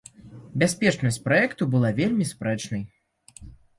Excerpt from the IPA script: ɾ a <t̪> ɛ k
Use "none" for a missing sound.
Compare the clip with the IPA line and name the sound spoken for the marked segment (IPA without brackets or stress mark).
none